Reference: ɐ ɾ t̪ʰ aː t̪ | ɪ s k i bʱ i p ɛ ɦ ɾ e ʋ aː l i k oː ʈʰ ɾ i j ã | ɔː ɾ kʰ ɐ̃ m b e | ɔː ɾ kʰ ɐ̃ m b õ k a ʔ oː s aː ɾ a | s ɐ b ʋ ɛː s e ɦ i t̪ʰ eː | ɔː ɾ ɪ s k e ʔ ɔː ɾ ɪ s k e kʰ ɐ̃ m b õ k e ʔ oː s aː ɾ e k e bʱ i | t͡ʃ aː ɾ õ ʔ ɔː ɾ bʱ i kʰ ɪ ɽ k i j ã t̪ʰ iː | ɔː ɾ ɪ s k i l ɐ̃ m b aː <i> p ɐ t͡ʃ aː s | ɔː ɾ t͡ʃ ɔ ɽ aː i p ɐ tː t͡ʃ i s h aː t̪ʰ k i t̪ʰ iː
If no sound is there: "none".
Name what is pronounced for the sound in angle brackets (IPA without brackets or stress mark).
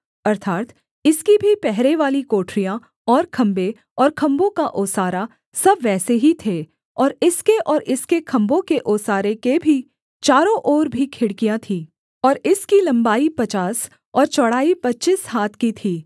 i